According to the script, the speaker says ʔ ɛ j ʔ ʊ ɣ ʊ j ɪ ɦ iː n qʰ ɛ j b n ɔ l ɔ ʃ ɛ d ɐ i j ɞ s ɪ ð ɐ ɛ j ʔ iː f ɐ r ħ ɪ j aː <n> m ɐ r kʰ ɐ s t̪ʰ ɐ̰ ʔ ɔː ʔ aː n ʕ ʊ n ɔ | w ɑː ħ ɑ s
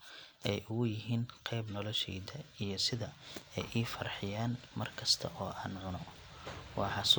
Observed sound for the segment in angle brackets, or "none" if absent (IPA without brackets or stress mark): n